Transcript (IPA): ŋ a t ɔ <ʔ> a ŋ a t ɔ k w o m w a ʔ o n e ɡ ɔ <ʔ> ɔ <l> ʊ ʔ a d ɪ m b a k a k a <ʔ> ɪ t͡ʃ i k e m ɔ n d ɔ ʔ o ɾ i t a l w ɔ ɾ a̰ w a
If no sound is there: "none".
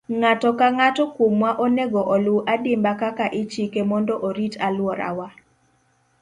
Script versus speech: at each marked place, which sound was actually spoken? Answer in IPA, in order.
k, ʔ, l, ʔ

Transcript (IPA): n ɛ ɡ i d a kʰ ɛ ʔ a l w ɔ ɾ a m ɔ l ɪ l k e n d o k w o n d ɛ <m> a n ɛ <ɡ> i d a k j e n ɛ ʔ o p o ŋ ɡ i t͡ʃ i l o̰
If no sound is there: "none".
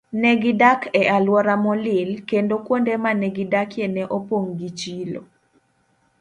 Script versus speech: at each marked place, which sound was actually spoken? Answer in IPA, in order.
m, ɡ

